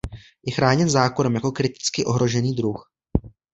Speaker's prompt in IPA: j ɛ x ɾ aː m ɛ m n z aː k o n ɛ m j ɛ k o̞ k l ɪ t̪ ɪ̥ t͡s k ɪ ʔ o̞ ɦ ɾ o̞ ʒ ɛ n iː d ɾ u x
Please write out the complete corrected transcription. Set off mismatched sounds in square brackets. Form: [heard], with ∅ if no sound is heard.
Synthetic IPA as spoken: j ɛ x ɾ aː [ɲ] ɛ [∅] n z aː k o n ɛ m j [a] k o̞ k [ɾ] ɪ t̪ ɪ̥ t͡s k ɪ ʔ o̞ ɦ ɾ o̞ ʒ ɛ n iː d ɾ u x